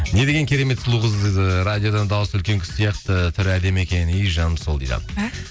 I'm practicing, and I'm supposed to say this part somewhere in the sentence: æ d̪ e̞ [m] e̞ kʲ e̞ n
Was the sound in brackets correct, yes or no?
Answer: yes